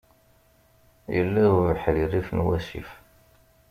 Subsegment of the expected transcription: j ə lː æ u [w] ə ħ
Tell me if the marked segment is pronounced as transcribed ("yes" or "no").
no